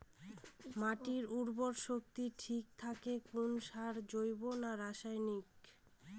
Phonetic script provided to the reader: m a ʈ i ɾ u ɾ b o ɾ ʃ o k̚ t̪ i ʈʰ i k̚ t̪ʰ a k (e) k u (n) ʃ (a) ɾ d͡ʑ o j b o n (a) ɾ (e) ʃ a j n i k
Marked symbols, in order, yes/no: yes, yes, yes, yes, no

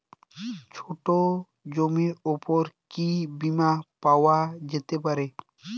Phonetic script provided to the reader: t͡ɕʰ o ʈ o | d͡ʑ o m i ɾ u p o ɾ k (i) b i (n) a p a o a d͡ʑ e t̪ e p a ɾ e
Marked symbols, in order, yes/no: yes, no

